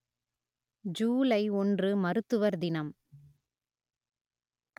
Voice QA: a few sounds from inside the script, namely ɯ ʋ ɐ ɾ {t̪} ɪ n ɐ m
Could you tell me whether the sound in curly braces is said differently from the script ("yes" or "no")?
yes